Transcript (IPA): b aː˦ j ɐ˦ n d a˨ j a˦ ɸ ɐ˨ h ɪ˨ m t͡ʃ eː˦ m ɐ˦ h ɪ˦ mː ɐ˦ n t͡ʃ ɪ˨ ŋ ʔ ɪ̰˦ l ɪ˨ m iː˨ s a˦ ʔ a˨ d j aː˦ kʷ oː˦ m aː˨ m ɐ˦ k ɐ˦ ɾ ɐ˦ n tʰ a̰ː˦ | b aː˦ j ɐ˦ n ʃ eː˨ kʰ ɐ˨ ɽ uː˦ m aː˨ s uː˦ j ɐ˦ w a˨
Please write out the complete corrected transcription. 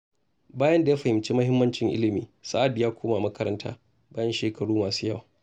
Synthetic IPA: b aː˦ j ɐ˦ n d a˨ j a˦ ɸ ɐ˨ h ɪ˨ m t͡ʃ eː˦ m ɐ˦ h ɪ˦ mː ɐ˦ n t͡ʃ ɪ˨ ŋ ʔ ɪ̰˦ l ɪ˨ m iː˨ s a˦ ʔ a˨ d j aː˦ kʷ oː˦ m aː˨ m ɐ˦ k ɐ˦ ɾ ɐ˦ n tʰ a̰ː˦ | b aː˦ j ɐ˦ n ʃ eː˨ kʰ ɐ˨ ɽ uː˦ m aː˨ s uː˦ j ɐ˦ w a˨